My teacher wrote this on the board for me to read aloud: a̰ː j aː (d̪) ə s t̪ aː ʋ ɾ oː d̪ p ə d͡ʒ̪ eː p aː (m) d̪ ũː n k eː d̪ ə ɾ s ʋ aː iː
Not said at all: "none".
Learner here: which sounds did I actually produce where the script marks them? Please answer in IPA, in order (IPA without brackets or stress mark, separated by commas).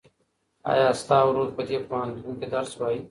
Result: none, n